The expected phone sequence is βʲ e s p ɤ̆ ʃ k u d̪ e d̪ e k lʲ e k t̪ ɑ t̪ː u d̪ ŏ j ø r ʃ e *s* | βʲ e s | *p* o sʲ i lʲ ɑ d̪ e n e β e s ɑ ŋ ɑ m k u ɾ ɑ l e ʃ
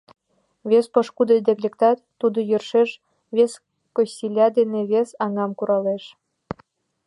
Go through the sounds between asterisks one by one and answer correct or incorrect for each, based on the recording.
incorrect: ʃ, incorrect: k

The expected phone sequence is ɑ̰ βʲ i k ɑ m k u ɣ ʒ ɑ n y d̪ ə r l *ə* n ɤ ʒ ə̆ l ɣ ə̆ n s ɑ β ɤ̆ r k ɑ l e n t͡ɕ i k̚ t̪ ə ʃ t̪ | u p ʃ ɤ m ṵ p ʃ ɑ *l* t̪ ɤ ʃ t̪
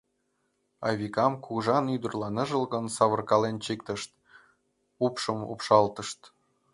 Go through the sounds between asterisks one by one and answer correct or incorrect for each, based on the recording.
incorrect: ɑ, correct

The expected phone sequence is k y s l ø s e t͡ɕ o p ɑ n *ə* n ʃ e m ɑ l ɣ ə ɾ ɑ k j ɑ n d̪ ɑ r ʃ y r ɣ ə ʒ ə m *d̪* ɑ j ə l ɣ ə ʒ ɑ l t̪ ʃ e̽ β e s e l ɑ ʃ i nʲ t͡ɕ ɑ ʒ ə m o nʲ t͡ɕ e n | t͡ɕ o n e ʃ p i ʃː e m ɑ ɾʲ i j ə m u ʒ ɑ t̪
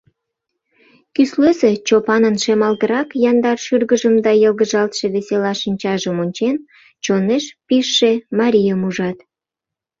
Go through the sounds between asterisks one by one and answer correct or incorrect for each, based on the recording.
correct, correct

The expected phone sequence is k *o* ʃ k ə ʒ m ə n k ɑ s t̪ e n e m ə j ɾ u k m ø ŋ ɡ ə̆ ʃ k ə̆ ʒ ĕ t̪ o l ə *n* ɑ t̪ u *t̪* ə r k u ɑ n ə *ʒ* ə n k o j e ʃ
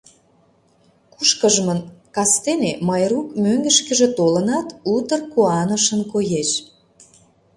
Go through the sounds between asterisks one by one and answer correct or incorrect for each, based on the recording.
incorrect: u, correct, correct, incorrect: ʃ

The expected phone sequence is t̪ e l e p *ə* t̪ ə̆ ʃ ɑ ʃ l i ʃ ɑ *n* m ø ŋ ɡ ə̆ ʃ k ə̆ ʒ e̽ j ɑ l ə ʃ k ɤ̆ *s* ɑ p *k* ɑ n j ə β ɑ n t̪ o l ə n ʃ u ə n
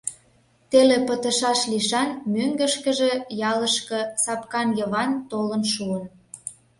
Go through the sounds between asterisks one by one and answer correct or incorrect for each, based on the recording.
correct, correct, correct, correct

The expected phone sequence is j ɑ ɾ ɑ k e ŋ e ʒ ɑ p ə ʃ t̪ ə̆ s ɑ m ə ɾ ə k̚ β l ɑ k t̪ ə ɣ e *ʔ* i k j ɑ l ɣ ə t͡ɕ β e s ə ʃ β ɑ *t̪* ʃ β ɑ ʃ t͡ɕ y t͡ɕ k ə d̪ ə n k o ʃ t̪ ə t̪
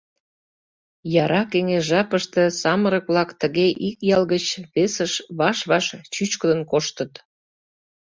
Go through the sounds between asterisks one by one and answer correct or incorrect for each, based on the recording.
correct, incorrect: none

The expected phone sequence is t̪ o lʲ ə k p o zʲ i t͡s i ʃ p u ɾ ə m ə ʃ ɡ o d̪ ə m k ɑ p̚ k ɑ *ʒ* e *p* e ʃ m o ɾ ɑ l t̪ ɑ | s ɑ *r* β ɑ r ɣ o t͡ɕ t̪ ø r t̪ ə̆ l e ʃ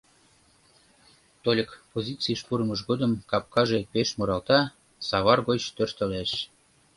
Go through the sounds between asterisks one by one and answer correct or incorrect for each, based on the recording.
correct, correct, incorrect: none

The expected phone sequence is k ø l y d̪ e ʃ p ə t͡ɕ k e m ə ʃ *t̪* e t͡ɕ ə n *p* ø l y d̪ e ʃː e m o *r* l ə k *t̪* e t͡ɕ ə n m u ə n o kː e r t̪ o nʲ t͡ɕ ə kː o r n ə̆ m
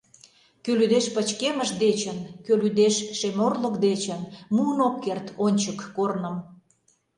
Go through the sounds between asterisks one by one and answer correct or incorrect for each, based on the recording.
incorrect: d̪, incorrect: k, correct, incorrect: d̪

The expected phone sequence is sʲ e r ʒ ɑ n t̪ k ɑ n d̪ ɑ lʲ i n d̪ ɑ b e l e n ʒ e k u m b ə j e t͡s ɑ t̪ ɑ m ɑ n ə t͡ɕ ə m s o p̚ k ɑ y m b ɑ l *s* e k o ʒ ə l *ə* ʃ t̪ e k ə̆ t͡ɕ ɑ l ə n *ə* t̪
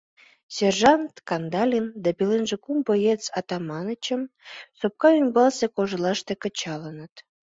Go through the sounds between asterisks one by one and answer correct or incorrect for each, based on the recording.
correct, incorrect: ɑ, correct

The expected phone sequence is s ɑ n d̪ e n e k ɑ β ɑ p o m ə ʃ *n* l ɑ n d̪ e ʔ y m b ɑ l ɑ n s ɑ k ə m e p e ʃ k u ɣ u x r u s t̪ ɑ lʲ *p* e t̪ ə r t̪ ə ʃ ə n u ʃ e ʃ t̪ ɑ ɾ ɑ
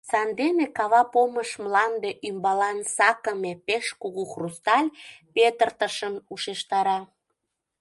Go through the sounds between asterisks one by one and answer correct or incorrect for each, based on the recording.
incorrect: m, correct

